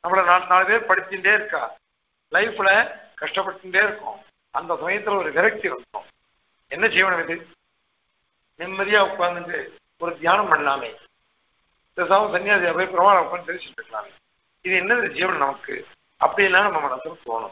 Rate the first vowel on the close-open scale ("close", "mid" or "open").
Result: open